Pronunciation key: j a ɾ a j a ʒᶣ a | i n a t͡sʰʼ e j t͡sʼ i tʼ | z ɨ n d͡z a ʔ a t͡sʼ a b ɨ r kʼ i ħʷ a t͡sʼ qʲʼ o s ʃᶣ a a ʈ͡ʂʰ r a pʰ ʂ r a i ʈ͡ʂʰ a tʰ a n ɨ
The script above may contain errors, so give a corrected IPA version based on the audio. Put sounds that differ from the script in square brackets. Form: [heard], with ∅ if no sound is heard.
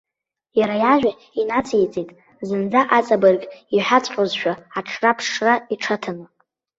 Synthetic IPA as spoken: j a ɾ a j a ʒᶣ a | i n a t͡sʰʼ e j t͡sʼ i tʼ | z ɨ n d͡z a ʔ a t͡sʼ a b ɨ r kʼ i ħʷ a t͡sʼ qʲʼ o [z] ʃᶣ a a ʈ͡ʂʰ r a pʰ ʂ r a i ʈ͡ʂʰ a tʰ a n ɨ